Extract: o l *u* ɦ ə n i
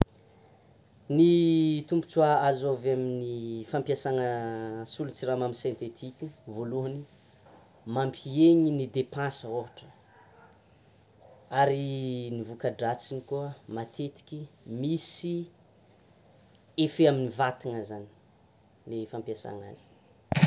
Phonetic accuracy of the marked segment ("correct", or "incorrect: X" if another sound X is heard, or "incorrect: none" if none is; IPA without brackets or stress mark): correct